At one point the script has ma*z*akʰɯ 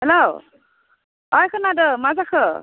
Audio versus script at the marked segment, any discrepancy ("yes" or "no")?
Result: no